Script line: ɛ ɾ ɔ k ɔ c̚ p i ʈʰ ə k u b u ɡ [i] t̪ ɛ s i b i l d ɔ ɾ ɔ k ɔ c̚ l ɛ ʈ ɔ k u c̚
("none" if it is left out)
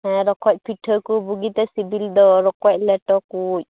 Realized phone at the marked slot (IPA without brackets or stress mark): i